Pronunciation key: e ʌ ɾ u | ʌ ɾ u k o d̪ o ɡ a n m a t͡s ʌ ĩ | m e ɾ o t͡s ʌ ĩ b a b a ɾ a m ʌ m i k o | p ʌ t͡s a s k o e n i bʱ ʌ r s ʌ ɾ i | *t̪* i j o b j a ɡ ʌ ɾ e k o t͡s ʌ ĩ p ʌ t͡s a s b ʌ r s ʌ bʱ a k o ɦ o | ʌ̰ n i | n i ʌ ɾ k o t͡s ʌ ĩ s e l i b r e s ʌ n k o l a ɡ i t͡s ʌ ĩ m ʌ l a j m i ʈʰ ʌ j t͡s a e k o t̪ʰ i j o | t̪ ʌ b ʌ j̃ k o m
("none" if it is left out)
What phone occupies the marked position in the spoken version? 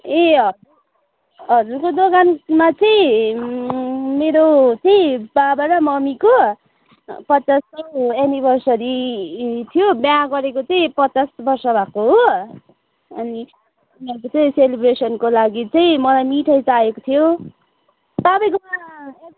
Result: t̪ʰ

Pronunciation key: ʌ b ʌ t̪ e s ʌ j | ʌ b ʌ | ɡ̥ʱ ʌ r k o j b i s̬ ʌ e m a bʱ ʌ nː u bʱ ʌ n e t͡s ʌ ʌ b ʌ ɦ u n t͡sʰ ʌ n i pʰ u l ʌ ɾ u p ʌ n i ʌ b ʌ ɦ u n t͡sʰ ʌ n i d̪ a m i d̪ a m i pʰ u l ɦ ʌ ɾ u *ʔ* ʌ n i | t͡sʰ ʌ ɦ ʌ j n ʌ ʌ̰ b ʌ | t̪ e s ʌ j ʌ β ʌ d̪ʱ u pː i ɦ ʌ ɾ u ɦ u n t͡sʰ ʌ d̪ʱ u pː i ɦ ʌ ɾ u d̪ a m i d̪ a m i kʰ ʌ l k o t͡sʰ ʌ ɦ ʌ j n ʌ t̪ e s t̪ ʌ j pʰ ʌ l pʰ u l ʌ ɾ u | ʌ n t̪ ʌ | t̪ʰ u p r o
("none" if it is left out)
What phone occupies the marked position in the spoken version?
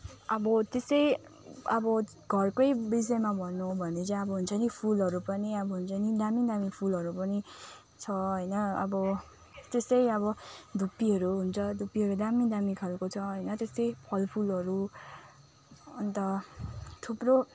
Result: p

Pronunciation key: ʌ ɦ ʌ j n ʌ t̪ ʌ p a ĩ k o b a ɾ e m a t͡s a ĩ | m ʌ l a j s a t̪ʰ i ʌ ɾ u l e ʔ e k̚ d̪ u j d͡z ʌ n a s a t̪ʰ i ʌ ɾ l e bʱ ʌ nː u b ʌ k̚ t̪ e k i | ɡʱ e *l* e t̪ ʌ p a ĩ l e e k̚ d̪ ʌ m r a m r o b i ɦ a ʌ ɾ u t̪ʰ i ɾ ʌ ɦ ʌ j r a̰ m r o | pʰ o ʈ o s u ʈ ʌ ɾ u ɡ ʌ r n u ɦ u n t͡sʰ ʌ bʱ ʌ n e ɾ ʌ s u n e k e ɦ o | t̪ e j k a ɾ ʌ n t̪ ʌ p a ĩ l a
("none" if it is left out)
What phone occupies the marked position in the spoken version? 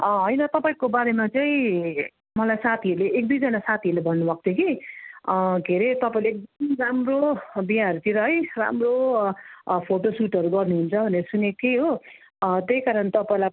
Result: ɾ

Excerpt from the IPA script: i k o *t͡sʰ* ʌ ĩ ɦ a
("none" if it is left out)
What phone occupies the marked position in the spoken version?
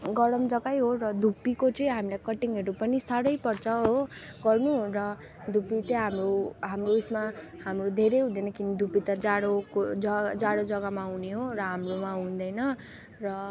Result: t͡s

